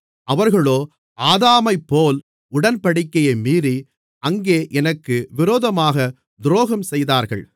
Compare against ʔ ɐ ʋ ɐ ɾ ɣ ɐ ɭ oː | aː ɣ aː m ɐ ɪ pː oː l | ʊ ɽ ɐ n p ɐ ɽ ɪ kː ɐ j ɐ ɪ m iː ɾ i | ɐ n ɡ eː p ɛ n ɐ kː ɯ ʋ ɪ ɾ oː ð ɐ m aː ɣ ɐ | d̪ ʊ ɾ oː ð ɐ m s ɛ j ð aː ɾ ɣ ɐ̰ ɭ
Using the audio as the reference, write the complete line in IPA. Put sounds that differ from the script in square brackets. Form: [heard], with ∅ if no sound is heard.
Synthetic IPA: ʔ ɐ ʋ ɐ ɾ ɣ ɐ ɭ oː | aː [ð] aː m ɐ ɪ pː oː l | ʊ ɽ ɐ n p ɐ ɽ ɪ kː ɐ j ɐ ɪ m iː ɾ i | ɐ [ŋ] ɡ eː [ʔ] ɛ n ɐ kː ɯ ʋ ɪ ɾ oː ð ɐ m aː ɣ ɐ | d̪ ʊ ɾ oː [ɣ] ɐ m s ɛ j ð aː ɾ ɣ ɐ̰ ɭ